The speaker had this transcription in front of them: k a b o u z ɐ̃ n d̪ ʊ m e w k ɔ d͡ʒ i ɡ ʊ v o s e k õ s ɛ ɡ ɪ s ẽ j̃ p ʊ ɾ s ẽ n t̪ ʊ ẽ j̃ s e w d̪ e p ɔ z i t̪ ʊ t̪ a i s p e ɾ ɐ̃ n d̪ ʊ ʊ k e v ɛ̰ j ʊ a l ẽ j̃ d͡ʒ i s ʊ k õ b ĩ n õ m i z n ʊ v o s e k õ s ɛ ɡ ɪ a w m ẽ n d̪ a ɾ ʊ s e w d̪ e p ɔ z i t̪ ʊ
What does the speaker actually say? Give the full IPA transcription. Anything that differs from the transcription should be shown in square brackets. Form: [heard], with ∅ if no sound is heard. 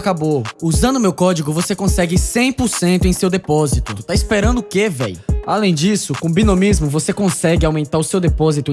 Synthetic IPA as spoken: k a b o u z ɐ̃ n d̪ ʊ m e w k ɔ d͡ʒ i ɡ ʊ v o s e k õ s ɛ ɡ ɪ s ẽ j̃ p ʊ ɾ s ẽ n t̪ ʊ ẽ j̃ s e w d̪ e p ɔ z i t̪ ʊ t̪ a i s p e ɾ ɐ̃ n d̪ ʊ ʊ k e v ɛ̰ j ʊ a l ẽ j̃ d͡ʒ i s ʊ k õ b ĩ n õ m i z [m] ʊ v o s e k õ s ɛ ɡ ɪ a w m ẽ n [t̪] a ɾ ʊ s e w d̪ e p ɔ z i t̪ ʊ